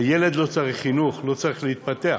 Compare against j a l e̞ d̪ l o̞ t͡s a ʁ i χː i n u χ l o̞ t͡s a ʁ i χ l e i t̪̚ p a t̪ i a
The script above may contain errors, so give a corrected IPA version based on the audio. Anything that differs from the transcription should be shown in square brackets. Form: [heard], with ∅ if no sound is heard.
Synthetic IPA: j [e] l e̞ d̪ l o̞ t͡s a ʁ i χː i n u χ l o̞ t͡s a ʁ i χ l e i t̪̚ p a t̪ [e] a